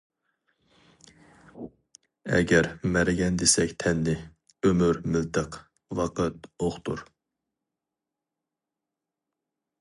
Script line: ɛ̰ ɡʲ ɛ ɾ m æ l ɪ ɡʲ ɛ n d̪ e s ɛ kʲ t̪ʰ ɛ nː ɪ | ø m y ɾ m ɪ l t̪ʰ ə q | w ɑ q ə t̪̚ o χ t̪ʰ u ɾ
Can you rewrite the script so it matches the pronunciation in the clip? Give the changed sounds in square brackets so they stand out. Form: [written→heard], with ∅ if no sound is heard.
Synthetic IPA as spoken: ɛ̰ ɡʲ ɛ ɾ m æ [l→ɾ] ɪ ɡʲ ɛ n d̪ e s ɛ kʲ t̪ʰ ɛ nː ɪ | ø m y ɾ m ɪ l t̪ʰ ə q | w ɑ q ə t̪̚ o χ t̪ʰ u ɾ